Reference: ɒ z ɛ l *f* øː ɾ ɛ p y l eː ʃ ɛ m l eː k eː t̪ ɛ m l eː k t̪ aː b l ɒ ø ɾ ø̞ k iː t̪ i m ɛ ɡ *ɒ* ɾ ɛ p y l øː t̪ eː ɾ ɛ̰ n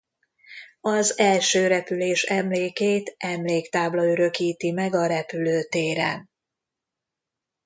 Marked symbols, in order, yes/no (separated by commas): no, yes